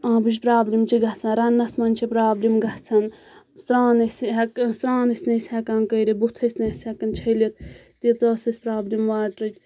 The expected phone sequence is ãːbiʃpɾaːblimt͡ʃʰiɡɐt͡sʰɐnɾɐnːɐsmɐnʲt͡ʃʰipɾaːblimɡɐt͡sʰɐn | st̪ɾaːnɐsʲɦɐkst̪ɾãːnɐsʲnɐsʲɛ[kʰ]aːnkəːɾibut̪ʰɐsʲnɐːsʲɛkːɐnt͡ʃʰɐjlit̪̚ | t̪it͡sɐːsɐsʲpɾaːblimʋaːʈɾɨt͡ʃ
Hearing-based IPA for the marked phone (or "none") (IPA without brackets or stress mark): k